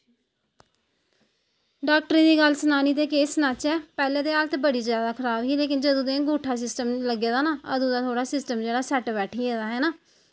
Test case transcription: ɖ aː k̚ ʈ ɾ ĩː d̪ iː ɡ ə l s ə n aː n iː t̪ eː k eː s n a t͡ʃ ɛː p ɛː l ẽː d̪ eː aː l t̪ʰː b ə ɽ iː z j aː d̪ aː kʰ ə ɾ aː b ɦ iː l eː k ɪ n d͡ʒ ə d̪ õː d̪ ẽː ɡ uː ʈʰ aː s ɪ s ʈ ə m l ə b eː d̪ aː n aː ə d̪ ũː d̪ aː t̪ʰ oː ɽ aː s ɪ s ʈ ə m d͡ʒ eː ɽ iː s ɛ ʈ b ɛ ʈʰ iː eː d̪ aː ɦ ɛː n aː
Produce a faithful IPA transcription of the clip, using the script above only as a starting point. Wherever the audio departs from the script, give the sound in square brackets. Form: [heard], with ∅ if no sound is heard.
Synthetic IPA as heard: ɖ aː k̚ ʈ ɾ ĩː d̪ iː ɡ ə l s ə n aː n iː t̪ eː k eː s n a t͡ʃ ɛː p ɛː l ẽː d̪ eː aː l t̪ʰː b ə ɽ iː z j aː d̪ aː kʰ ə ɾ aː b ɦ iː l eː k ɪ n d͡ʒ ə d̪ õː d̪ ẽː ɡ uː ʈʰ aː s ɪ s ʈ ə m l ə [ɡ] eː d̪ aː n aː ə d̪ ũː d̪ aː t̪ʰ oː ɽ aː s ɪ s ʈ ə m d͡ʒ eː ɽ [aː] s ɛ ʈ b [ɛː] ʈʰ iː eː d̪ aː ɦ ɛː n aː

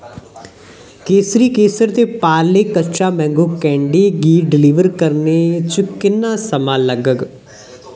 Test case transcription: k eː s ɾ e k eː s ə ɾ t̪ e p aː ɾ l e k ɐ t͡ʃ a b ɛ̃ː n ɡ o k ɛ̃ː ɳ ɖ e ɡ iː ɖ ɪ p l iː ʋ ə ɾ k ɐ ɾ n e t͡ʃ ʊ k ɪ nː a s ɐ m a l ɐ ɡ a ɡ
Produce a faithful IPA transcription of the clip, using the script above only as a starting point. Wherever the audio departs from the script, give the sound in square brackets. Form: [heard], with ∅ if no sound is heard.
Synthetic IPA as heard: k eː s ɾ [i] k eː s ə ɾ t̪ e p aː ɾ l e k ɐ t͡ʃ a [m] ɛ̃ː [ŋ] ɡ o k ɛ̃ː ɳ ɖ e ɡ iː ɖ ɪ [∅] l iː ʋ ə ɾ k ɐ ɾ n e t͡ʃ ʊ k ɪ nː a s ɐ m a l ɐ ɡ [ə] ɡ

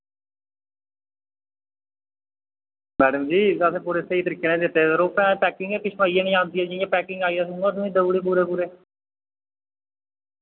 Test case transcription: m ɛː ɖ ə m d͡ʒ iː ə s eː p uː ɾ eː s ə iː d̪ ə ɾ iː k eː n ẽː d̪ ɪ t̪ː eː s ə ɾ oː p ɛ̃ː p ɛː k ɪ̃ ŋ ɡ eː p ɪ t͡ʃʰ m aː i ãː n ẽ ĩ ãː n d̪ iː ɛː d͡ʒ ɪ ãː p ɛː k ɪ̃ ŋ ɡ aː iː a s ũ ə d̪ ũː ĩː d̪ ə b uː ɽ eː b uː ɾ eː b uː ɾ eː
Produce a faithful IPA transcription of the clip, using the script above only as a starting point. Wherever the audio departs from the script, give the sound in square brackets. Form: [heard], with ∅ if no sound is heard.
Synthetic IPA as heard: m ɛː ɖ ə m d͡ʒ iː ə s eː p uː ɾ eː s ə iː [t̪] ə ɾ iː k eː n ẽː d̪ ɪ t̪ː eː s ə ɾ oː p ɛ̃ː p ɛː k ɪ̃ ŋ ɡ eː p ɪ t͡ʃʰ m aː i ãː n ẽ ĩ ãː n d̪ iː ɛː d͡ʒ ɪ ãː p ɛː k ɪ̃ ŋ ɡ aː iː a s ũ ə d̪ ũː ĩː d̪ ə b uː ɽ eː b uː ɾ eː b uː ɾ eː

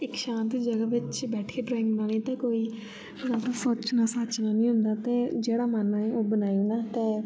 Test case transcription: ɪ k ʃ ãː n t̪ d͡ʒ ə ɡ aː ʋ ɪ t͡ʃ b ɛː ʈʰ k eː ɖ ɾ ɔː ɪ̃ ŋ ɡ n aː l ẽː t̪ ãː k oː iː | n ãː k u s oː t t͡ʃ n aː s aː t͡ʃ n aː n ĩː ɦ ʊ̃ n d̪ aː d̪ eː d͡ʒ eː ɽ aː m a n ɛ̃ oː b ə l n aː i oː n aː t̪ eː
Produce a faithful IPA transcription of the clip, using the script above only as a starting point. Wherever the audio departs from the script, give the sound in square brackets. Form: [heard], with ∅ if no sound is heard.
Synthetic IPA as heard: ɪ k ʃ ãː n t̪ d͡ʒ ə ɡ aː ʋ ɪ t͡ʃ b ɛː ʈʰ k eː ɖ ɾ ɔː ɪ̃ ŋ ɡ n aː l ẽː t̪ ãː k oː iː | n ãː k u s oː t t͡ʃ n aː s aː t͡ʃ n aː n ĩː ɦ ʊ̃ n d̪ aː [t̪] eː d͡ʒ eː ɽ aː m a n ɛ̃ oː b ə [∅] n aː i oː n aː t̪ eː

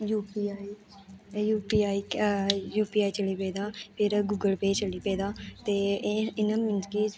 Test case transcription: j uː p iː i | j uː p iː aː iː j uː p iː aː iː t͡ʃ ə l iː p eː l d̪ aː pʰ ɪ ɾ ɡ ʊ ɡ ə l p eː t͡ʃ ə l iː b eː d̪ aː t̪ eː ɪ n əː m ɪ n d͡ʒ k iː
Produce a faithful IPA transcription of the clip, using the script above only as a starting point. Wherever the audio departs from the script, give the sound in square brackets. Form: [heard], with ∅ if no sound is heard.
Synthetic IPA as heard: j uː p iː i | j uː p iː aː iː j uː p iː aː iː t͡ʃ ə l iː p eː [∅] d̪ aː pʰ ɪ ɾ ɡ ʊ ɡ ə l p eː t͡ʃ ə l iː [p] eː d̪ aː t̪ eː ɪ n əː m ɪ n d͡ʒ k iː

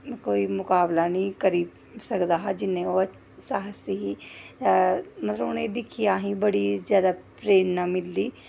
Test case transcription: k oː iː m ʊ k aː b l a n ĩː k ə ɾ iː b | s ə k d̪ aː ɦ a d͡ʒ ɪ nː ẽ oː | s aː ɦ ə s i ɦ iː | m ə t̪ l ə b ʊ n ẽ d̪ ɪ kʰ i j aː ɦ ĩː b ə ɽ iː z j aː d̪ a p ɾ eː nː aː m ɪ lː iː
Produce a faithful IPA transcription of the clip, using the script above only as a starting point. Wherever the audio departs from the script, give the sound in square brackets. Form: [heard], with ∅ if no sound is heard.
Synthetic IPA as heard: k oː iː m ʊ k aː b l a n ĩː k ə ɾ iː b | s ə k d̪ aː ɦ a d͡ʒ ɪ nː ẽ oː | s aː ɦ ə s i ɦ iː | m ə t̪ l ə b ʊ n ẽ d̪ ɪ kʰ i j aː ɦ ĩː b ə ɽ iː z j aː d̪ a p ɾ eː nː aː m ɪ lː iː

